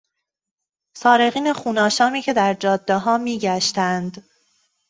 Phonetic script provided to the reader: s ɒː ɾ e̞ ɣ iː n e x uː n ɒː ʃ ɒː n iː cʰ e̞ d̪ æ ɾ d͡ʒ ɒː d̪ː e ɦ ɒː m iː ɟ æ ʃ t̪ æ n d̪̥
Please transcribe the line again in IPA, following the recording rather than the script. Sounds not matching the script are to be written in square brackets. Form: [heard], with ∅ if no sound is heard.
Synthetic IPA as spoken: s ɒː ɾ e̞ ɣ iː n e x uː n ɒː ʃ ɒː [m] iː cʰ e̞ d̪ æ ɾ d͡ʒ ɒː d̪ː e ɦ ɒː m iː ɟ æ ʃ t̪ æ n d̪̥